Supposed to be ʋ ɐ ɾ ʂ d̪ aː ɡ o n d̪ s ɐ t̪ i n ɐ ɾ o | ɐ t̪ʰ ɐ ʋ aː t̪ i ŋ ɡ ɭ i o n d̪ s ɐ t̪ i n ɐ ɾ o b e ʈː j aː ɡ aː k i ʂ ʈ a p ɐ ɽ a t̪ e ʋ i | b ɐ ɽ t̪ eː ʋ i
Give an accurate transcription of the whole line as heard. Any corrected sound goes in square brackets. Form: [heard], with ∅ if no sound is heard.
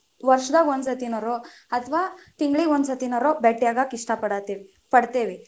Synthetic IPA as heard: ʋ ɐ ɾ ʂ d̪ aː ɡ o n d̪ s ɐ t̪ i n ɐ ɾ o | ɐ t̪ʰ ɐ ʋ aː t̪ i ŋ ɡ ɭ i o n d̪ s ɐ t̪ i n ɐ ɾ o b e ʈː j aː ɡ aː k i ʂ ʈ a p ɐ ɽ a t̪ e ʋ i | [p] ɐ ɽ t̪ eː ʋ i